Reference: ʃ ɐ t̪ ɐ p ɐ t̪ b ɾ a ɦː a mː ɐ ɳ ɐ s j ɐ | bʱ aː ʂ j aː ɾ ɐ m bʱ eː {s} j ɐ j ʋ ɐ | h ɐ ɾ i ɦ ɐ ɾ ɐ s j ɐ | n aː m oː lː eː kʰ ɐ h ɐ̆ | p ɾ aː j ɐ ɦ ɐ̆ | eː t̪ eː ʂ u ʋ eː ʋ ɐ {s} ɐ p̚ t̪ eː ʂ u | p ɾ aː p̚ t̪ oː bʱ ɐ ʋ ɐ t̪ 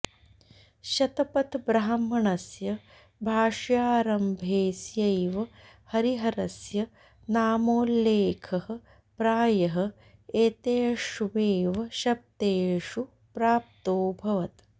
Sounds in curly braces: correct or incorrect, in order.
correct, incorrect

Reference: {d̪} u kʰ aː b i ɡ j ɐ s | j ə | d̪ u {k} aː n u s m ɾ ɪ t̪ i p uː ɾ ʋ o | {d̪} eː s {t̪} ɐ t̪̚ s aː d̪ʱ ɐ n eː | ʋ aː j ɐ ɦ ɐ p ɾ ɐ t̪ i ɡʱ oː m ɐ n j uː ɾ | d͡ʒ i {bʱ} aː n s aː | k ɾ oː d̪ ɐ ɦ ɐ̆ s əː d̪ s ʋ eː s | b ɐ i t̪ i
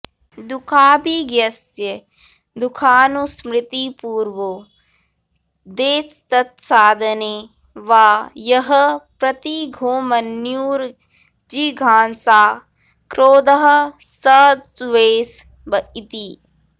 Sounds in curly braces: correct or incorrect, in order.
correct, incorrect, correct, correct, incorrect

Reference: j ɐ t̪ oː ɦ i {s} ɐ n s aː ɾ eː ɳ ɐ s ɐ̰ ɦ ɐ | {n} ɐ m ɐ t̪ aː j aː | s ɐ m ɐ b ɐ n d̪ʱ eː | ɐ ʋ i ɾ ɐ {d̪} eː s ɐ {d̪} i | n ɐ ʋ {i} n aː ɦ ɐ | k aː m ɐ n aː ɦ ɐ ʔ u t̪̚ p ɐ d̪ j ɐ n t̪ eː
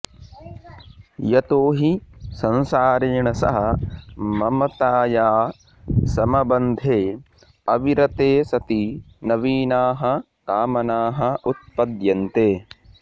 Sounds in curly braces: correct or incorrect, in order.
correct, incorrect, incorrect, incorrect, incorrect

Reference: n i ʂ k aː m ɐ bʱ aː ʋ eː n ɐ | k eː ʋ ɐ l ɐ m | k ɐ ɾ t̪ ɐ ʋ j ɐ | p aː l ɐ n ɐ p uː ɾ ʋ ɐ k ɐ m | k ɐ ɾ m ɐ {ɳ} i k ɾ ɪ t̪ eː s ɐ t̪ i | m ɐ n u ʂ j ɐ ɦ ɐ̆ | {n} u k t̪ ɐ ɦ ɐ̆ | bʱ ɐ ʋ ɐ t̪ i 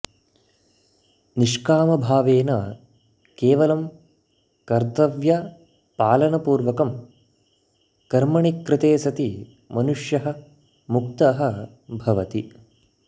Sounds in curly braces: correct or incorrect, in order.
correct, incorrect

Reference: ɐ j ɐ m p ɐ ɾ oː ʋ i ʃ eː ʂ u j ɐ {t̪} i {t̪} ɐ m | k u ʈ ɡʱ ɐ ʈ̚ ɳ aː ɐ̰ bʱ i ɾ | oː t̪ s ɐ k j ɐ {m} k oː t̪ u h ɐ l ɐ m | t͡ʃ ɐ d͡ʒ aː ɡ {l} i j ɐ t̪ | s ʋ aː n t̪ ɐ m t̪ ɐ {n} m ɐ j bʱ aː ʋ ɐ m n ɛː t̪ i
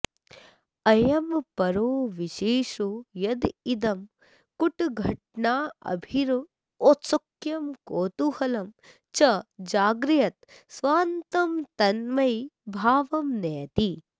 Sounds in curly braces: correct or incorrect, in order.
incorrect, incorrect, correct, incorrect, correct

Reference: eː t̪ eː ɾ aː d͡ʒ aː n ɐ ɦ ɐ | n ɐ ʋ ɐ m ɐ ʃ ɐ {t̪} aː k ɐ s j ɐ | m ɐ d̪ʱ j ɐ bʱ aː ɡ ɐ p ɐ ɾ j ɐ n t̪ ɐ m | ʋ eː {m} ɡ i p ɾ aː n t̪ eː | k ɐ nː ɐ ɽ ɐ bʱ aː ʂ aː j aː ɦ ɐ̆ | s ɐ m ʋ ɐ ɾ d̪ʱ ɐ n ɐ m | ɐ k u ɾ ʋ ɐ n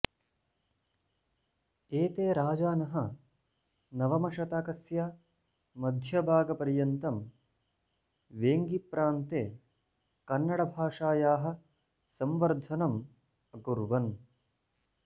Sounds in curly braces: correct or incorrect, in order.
correct, incorrect

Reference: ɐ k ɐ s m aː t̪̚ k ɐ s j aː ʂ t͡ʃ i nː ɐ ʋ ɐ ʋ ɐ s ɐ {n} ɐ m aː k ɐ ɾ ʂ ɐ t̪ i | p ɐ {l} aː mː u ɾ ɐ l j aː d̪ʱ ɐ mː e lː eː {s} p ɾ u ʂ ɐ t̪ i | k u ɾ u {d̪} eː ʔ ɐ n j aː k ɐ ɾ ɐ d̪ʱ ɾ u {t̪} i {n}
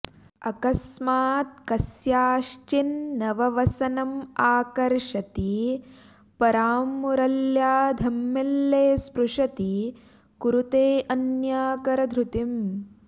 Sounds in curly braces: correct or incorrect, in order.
correct, incorrect, correct, incorrect, correct, incorrect

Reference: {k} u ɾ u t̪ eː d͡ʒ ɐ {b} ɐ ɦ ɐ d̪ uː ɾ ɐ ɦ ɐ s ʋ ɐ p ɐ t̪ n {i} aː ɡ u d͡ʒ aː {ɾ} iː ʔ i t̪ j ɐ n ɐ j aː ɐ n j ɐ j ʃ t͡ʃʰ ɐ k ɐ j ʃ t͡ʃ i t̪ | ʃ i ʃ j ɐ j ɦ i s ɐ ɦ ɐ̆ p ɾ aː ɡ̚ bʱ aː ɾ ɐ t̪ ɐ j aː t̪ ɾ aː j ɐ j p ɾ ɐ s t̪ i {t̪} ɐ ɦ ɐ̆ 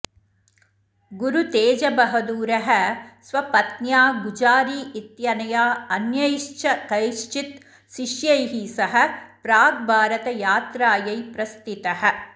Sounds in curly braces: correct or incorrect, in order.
incorrect, correct, incorrect, correct, correct

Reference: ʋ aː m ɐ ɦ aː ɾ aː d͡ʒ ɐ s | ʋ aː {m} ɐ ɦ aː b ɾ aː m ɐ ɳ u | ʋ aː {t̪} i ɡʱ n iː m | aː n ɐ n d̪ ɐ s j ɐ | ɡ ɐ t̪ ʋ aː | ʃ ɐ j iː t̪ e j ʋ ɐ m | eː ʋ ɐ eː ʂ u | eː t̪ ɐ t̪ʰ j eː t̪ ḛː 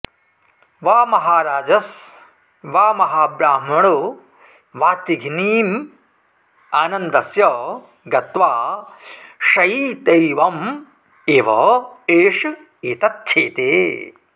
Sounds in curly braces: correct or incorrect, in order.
correct, correct

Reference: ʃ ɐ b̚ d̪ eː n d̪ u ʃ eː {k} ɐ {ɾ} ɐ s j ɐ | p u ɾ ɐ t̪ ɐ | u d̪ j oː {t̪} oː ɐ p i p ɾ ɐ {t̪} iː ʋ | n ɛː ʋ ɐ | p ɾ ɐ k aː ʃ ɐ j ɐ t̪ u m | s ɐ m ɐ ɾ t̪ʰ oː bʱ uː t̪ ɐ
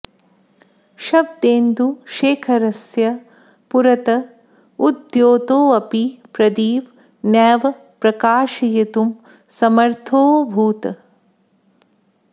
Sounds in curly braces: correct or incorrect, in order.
incorrect, correct, correct, incorrect

